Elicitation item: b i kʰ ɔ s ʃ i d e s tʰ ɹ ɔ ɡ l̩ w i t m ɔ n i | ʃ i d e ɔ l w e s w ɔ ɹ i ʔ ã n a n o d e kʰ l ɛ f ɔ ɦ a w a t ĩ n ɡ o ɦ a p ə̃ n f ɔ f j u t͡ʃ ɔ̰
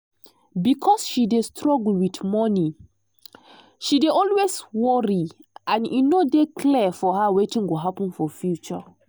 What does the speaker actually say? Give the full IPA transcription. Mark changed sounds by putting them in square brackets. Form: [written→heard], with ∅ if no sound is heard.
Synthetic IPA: b i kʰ ɔ s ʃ i d e s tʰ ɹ ɔ ɡ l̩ w i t m ɔ n i | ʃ i d e ɔ l w e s w ɔ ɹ i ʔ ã n [a→i] n o d e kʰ l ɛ f ɔ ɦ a w [a→e] t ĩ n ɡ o ɦ a p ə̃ n f ɔ f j u t͡ʃ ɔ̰